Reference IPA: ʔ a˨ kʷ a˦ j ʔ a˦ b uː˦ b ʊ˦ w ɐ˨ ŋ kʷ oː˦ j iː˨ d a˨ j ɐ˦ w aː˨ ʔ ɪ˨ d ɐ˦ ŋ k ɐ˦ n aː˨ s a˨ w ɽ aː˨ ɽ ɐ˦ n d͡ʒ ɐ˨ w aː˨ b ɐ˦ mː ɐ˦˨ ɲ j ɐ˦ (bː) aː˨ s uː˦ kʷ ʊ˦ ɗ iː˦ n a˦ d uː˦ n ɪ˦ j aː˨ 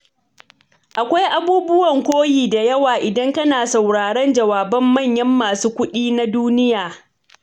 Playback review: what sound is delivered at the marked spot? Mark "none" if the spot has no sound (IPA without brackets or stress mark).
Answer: mː